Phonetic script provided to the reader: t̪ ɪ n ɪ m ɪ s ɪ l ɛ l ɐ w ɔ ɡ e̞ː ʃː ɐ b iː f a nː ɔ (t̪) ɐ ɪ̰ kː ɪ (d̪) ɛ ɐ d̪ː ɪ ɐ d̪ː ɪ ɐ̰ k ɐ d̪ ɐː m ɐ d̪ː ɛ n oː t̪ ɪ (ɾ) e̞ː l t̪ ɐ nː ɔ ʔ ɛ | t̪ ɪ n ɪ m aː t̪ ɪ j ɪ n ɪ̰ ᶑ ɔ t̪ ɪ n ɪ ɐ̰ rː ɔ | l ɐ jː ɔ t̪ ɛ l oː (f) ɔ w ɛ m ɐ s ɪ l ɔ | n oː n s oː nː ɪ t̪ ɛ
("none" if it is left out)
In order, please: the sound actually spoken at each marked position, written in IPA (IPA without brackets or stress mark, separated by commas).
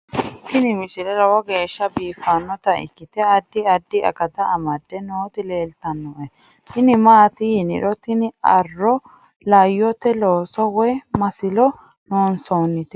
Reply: t̪, t̪, l, s